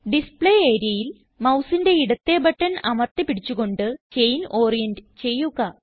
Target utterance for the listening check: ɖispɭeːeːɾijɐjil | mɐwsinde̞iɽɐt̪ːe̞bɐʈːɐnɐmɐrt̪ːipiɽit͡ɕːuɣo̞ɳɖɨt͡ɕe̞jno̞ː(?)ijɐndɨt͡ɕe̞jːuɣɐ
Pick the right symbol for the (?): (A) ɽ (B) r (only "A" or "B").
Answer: B